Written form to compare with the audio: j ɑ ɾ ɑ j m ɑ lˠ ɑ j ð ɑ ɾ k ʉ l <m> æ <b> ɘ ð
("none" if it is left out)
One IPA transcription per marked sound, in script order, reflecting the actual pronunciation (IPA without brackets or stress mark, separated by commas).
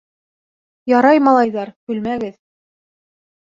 m, ɡ